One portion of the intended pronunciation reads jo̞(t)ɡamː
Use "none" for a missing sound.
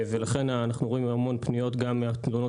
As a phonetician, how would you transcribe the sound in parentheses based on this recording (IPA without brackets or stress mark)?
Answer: t